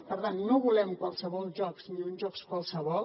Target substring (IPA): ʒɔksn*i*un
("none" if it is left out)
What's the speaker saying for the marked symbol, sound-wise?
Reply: i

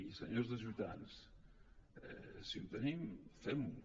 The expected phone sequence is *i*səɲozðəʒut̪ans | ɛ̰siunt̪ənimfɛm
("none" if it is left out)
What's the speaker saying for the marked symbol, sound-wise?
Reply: i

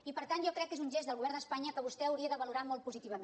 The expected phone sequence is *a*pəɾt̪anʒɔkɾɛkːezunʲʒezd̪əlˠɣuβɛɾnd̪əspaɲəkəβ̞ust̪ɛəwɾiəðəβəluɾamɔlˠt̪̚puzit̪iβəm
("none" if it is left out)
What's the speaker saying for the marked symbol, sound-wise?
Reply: i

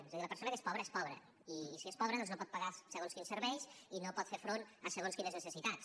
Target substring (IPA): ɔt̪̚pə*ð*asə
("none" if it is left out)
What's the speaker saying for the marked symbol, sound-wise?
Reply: ɣ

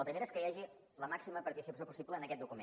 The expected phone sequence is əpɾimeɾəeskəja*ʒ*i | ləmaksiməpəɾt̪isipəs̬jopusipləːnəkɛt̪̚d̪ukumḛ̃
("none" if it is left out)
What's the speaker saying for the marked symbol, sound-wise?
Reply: ʒ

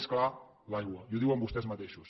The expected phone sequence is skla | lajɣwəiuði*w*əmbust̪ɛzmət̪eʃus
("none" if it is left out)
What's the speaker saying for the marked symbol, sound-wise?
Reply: w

